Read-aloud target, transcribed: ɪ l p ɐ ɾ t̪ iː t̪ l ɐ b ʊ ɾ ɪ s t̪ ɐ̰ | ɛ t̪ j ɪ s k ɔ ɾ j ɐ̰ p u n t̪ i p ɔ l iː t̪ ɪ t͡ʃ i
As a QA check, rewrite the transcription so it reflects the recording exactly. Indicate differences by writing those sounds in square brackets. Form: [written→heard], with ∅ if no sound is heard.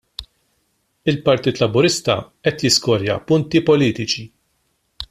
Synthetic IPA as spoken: ɪ l p ɐ ɾ t̪ iː t̪ l ɐ b ʊ ɾ ɪ s t̪ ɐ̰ | ɛ t̪ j ɪ s k ɔ ɾ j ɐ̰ p [u→ʊ] n t̪ i p ɔ l iː t̪ ɪ t͡ʃ i